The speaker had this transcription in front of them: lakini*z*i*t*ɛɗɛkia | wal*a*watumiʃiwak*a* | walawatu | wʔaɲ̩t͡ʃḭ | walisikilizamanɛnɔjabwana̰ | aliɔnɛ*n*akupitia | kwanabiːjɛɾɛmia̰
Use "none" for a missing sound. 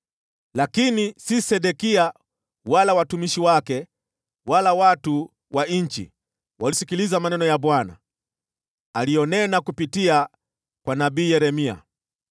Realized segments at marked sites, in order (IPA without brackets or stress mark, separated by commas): s, s, a, ɛ, n